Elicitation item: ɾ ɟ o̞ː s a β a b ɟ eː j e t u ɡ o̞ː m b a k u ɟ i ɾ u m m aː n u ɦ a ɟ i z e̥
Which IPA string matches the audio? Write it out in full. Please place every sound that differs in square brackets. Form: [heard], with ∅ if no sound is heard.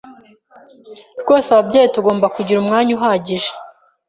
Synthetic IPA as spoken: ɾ [ɡ] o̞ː s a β a b ɟ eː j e t u ɡ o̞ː m b a k u ɟ i ɾ u m [ŋ] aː [ɲ] u ɦ a ɟ i [ʒ] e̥